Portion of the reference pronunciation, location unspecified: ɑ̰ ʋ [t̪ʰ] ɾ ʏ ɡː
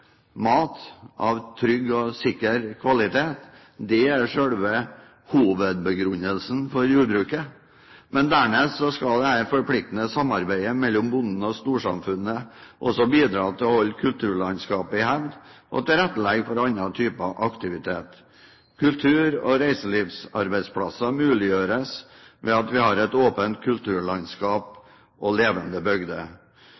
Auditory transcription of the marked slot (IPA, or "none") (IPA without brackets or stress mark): t̪ʰ